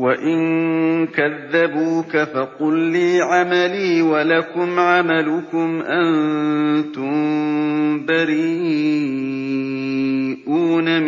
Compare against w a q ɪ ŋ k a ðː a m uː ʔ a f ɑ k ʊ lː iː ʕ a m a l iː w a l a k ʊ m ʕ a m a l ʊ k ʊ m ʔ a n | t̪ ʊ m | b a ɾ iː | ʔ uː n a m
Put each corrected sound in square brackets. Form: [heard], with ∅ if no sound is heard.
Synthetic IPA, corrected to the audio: w a [ʔ] ɪ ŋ k a ðː a [b] uː [k] a f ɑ [q] ʊ lː iː ʕ a m a l iː w a l a k ʊ m ʕ a m a l ʊ k ʊ m ʔ a n | t̪ ʊ m | b a ɾ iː | ʔ uː n a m